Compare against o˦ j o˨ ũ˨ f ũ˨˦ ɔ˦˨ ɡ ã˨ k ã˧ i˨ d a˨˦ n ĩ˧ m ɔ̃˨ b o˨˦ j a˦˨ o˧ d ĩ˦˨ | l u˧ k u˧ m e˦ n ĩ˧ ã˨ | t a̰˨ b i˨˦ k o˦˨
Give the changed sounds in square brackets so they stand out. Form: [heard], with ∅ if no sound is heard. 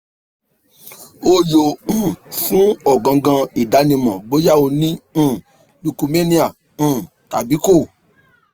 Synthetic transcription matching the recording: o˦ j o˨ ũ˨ f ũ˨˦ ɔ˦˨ ɡ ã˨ [ɡ] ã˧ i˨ d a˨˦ n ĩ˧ m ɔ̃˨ b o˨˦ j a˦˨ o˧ [n] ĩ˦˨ | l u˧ k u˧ m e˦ n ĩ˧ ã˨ | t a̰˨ b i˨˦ k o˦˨